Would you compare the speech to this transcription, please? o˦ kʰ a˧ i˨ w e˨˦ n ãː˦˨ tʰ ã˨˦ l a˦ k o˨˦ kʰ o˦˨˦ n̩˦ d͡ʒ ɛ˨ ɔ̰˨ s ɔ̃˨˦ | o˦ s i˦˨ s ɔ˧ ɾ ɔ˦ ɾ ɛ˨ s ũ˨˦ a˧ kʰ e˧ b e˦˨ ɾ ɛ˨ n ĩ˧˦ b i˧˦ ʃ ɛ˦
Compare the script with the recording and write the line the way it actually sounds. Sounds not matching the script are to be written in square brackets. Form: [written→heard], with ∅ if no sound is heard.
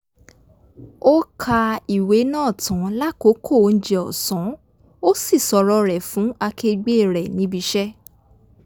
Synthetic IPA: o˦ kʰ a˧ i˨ w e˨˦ n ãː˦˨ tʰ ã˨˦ l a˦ k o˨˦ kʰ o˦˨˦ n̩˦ d͡ʒ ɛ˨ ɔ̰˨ s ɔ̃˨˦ | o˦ s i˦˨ s ɔ˧ ɾ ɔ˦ ɾ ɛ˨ [s→f] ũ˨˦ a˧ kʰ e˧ [b→ɡ͡b] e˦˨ ɾ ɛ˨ n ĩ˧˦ b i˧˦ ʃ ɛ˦